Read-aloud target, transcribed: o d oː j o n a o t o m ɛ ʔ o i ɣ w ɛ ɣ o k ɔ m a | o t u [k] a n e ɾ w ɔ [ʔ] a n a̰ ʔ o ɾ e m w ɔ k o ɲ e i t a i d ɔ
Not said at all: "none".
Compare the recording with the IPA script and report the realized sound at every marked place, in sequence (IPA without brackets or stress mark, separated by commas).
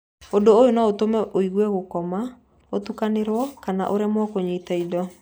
k, k